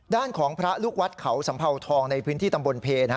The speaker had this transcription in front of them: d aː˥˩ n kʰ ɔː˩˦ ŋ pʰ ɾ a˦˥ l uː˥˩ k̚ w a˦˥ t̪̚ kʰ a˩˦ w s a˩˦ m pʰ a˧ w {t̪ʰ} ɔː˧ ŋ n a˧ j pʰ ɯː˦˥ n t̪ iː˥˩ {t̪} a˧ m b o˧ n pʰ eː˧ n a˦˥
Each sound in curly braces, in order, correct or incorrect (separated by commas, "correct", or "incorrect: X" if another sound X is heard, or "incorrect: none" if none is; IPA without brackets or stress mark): correct, correct